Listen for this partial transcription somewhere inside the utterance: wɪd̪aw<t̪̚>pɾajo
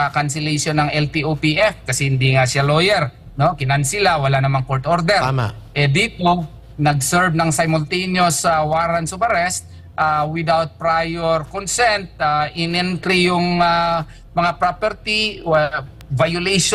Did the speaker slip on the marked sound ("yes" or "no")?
no